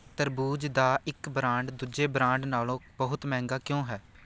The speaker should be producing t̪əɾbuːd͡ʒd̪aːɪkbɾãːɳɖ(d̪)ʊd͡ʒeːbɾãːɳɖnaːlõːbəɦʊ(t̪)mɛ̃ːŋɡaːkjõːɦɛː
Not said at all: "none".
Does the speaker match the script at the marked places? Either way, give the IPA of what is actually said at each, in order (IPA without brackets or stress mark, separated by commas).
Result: d̪, t̪